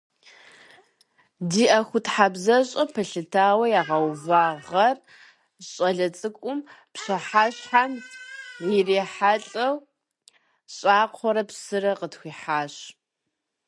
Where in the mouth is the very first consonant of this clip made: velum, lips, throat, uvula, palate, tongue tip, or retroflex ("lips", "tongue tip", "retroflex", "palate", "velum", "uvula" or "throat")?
tongue tip